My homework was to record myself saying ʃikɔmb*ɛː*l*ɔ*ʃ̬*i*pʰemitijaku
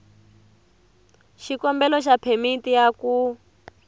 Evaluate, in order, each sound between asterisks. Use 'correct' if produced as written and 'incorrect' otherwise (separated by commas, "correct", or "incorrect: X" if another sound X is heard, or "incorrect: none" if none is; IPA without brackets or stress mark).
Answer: incorrect: ɛ, correct, incorrect: a